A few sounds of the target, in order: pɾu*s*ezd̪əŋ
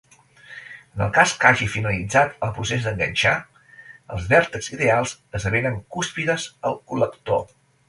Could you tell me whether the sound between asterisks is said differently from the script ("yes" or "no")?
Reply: no